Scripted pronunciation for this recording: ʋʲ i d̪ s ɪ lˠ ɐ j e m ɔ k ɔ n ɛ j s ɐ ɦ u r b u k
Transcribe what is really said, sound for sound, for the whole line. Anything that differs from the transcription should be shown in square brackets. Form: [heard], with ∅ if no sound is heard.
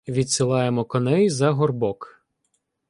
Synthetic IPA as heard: ʋʲ i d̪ s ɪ lˠ [ɑ] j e m ɔ k ɔ n ɛ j [z] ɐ ɦ [ɔ] r b [ɔ] k